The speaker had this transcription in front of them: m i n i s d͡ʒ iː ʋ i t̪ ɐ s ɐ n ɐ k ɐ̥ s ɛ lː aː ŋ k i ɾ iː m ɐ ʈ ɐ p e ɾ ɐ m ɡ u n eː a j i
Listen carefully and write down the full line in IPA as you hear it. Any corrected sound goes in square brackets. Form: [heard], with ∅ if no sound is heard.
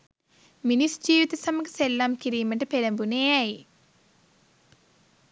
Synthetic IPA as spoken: m i n i s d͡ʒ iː ʋ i t̪ ɐ s ɐ [m] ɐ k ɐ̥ s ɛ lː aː [m] k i ɾ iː m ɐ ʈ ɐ p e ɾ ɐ m [b] u n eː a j i